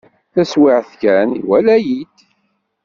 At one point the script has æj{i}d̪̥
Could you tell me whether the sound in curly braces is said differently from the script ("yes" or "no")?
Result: no